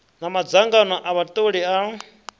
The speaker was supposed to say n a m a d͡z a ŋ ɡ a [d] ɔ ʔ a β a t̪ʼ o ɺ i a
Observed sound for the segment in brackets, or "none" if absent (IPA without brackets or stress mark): n